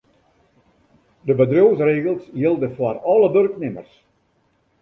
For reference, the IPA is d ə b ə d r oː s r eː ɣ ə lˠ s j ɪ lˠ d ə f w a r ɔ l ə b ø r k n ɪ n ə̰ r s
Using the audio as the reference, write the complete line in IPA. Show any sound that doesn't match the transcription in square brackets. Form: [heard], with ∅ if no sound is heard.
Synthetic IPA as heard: d ə b ə d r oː s r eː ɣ ə lˠ s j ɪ lˠ d ə f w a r ɔ l ə b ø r k n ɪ [m] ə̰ r s